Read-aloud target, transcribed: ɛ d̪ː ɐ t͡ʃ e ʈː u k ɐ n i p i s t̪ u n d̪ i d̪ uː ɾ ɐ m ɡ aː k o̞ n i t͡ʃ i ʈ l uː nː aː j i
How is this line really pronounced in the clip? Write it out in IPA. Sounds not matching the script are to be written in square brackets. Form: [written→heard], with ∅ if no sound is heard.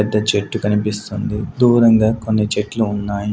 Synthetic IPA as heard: ɛ d̪ː ɐ t͡ʃ e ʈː u k ɐ n i p i s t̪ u n d̪ i d̪ uː ɾ ɐ [m→ŋ] ɡ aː k o̞ [n→nː] i t͡ʃ [i→e] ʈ l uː nː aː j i